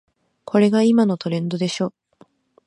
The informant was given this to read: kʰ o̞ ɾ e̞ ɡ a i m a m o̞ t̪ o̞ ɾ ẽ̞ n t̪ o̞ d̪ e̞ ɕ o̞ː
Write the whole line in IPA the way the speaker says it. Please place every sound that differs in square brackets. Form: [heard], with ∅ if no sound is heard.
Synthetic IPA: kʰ o̞ ɾ e̞ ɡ a i m a [n] o̞ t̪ o̞ ɾ ẽ̞ n [d̪] o̞ d̪ e̞ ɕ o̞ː